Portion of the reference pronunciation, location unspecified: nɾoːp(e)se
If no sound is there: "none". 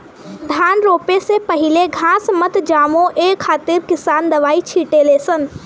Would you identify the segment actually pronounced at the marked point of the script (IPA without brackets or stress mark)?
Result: e